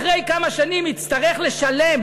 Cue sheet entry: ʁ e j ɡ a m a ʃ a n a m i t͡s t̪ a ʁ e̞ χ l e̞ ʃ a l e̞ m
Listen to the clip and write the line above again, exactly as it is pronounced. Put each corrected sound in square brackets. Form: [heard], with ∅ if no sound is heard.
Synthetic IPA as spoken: ʁ e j [k] a m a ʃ a n [i] m i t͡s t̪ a ʁ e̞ χ l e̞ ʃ a l e̞ m